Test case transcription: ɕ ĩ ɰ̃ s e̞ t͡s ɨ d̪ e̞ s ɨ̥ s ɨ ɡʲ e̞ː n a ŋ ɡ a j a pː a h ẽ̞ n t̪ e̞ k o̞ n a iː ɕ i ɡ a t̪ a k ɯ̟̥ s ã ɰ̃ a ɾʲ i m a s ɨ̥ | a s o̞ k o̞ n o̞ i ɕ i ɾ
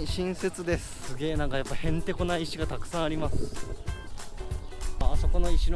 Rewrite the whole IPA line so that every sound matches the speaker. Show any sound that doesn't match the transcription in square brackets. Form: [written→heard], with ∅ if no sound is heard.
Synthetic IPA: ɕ ĩ ɰ̃ s e̞ t͡s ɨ d̪ e̞ s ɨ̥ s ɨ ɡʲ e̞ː n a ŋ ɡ a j a pː a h ẽ̞ n t̪ e̞ k o̞ n a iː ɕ i ɡ a t̪ a k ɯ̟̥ s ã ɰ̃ a ɾʲ i m a s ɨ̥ | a s o̞ k o̞ n o̞ i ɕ i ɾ